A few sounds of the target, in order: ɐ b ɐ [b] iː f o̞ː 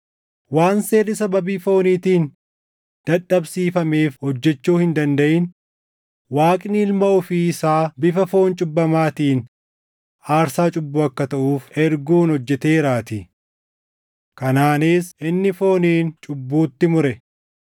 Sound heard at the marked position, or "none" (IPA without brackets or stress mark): b